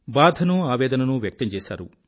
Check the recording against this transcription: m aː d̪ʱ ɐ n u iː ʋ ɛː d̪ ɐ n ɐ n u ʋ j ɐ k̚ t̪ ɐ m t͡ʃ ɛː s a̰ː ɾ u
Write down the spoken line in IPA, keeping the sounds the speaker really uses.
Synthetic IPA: b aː d̪ʱ ɐ n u aː ʋ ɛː d̪ ɐ n ɐ n u ʋ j ɐ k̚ t̪ ɐ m t͡ʃ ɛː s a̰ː ɾ u

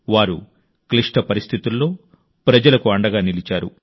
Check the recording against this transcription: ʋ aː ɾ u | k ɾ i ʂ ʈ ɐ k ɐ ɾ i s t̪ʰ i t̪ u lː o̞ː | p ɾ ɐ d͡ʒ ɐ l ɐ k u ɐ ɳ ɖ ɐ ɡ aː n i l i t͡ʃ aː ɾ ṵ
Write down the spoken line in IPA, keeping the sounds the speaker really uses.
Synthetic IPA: ʋ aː ɾ u | k l i ʂ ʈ ɐ p ɐ ɾ i s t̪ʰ i t̪ u lː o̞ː | p ɾ ɐ d͡ʒ ɐ l ɐ k u ɐ ɳ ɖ ɐ ɡ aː n i l i t͡ʃ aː ɾ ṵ

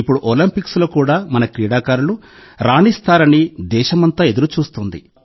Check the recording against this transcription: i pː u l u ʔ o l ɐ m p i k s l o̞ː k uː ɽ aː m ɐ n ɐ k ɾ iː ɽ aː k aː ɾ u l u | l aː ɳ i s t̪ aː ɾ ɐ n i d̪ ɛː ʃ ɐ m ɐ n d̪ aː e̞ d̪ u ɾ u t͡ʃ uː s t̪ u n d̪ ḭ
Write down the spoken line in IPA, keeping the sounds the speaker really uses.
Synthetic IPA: i pː u ɽ u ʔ o l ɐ m p i k s l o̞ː k uː ɽ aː m ɐ n ɐ k ɾ iː ɽ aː k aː ɾ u l u | ɾ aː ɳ i s t̪ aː ɾ ɐ n i d̪ ɛː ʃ ɐ m ɐ n t̪ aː e̞ d̪ u ɾ u t͡ʃ uː s t̪ u n d̪ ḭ

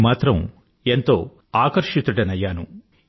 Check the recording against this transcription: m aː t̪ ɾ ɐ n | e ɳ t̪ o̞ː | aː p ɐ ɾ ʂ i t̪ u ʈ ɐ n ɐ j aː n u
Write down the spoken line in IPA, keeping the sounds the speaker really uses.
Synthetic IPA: m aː t̪ ɾ ɐ m | e n t̪ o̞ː | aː k ɐ ɾ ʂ i t̪ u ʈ ɐ n ɐ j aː n u

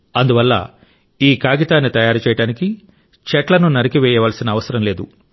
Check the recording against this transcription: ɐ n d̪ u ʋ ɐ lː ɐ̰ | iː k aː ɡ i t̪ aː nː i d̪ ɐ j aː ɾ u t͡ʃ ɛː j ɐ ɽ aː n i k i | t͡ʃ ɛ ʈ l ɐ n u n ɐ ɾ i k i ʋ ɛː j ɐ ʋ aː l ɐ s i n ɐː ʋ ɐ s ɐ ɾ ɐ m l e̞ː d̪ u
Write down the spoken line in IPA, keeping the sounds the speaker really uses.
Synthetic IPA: ɐ n d̪ u ʋ ɐ lː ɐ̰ | iː k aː ɡ i t̪ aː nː i t̪ ɐ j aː ɾ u t͡ʃ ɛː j ɐ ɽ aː n i k i | t͡ʃ ɛ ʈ l ɐ n u n ɐ ɾ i k i ʋ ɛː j ɐ ʋ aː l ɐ s i n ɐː ʋ ɐ s ɐ ɾ ɐ m l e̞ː d̪ u

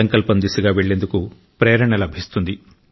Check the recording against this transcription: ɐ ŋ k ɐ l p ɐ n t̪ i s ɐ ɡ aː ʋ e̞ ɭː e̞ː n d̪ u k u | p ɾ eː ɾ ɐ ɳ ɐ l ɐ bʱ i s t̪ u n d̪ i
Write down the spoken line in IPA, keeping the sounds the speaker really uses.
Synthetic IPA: ɐ ŋ k ɐ l p ɐ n d̪ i s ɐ ɡ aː ʋ e̞ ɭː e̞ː n d̪ u k u | p ɾ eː ɾ ɐ ɳ ɐ l ɐ bʱ i s t̪ u n d̪ i

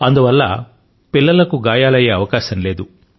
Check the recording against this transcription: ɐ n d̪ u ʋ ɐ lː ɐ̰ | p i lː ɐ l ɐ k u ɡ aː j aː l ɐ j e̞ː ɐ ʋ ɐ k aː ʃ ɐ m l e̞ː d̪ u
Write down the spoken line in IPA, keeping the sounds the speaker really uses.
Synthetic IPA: ɐ n d̪ u ʋ ɐ lː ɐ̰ | p i lː ɐ l ɐ k u ɡ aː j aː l ɐ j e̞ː ɐ ʋ ɐ k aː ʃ ɐ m l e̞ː d̪ u

